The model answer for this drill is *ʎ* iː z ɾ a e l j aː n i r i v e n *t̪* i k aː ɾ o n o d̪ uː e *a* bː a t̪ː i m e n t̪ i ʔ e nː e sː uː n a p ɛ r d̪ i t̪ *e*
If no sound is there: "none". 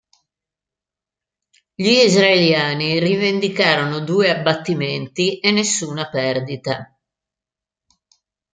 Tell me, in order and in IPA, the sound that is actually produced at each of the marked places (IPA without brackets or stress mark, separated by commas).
ʎ, d̪, a, a